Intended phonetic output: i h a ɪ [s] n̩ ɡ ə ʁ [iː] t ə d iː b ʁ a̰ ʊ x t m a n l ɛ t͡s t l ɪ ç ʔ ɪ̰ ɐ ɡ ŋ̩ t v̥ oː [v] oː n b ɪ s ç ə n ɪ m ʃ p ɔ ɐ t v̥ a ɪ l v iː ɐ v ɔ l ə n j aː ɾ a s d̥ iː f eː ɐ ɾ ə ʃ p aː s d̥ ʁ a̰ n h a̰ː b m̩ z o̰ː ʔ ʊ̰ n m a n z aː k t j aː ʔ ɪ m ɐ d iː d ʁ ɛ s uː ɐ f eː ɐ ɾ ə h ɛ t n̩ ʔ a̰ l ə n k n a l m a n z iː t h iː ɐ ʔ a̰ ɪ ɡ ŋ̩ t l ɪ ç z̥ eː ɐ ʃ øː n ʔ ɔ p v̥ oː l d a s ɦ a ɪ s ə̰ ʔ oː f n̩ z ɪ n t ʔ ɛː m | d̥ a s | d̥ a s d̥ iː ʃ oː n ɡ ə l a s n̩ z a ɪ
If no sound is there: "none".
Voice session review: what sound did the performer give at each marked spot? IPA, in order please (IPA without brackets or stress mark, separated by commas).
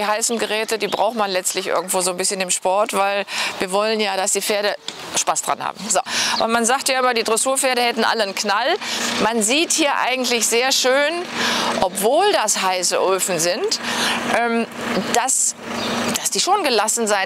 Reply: s, ɛː, z